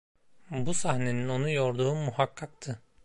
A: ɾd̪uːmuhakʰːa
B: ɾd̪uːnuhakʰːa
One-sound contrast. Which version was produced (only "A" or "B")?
A